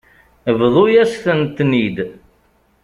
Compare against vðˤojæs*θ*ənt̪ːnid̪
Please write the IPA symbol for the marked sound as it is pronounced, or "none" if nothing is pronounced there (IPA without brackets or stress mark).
θ